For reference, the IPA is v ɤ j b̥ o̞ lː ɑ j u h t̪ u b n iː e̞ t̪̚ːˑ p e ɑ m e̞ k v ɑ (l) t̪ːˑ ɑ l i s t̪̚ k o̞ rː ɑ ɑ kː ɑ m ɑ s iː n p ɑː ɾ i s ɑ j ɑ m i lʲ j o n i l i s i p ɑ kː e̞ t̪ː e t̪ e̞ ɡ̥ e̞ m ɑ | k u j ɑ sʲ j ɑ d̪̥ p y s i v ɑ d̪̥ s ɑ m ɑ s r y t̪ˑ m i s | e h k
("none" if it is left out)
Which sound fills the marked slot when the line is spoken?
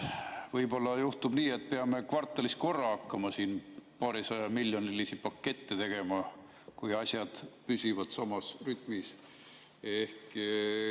r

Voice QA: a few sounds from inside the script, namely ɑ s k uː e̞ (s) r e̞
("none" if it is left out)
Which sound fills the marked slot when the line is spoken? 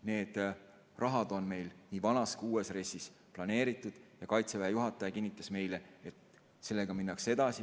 s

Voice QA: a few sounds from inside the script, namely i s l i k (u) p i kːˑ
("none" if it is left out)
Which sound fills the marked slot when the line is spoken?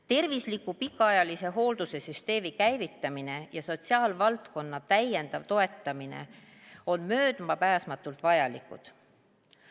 u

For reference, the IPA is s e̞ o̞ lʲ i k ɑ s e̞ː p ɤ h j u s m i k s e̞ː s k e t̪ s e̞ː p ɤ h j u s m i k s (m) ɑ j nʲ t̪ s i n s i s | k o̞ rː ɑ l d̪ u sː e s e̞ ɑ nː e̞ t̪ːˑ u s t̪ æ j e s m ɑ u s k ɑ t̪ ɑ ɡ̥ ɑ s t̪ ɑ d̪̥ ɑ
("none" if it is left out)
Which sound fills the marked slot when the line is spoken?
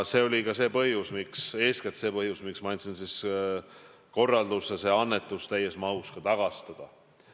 m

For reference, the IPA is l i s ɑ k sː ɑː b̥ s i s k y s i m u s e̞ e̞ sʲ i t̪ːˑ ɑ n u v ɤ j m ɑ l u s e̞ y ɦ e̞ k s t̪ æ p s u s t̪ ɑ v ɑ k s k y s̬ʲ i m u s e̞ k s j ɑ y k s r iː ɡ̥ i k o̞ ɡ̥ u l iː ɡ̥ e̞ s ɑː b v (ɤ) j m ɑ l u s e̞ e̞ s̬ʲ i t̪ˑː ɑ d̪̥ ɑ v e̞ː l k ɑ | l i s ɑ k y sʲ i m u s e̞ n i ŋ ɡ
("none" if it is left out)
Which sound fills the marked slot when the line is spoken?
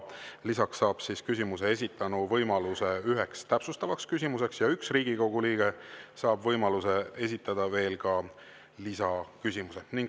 ɤ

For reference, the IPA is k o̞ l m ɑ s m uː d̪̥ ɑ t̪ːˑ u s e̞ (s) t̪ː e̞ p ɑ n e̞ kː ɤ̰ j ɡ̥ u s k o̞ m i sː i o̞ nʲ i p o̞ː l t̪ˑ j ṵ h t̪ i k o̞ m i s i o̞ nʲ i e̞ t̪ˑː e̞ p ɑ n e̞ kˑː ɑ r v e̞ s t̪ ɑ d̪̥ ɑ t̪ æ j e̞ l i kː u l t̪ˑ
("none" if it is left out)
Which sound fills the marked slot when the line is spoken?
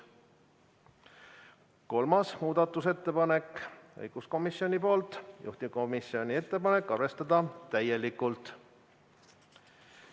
none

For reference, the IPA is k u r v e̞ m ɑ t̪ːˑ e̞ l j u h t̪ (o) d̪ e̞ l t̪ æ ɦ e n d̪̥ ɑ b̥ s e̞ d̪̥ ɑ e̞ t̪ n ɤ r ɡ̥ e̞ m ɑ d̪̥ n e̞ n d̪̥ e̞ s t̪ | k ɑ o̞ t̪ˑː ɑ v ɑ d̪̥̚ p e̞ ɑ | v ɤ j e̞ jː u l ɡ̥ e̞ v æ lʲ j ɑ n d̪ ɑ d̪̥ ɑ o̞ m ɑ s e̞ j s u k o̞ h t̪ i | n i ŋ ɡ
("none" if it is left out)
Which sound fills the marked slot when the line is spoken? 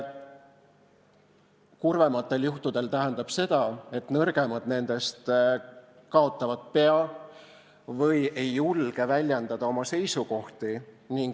u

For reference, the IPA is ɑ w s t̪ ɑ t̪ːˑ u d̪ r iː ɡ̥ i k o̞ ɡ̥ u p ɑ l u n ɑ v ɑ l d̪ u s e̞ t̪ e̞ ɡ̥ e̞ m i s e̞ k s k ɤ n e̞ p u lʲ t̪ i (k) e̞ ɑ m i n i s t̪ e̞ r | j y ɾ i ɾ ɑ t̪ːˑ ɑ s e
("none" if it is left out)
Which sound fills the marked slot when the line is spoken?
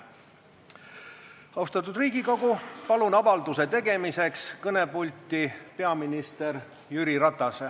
p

